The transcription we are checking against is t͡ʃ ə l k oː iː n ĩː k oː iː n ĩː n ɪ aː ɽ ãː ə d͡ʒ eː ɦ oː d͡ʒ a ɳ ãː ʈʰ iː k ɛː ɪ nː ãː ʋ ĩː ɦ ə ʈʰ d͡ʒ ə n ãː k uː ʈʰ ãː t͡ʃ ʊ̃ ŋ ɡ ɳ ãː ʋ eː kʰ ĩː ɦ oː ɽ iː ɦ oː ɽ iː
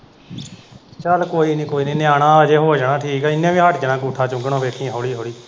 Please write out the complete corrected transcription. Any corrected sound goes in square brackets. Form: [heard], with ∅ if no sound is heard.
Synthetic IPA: t͡ʃ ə l k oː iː n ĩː k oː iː n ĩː n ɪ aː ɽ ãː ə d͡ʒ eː ɦ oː d͡ʒ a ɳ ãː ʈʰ iː k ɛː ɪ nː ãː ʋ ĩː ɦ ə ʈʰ d͡ʒ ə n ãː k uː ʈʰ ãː t͡ʃ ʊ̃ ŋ ɡ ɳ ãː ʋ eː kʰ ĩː ɦ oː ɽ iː ɦ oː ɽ iː